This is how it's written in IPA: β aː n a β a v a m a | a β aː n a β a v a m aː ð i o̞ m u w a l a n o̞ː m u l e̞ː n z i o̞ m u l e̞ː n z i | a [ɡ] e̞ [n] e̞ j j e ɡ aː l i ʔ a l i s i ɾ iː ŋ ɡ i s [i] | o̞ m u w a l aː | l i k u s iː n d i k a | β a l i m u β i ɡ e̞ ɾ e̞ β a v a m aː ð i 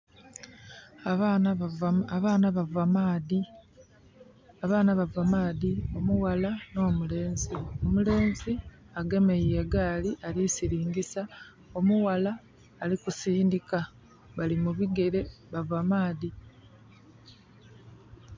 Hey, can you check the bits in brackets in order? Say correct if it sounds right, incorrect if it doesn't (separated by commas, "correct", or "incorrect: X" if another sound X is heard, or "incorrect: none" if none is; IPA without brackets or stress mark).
correct, incorrect: m, incorrect: a